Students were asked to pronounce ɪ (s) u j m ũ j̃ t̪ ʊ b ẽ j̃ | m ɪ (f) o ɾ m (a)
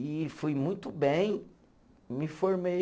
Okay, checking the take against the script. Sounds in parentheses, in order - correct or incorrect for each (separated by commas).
incorrect, correct, incorrect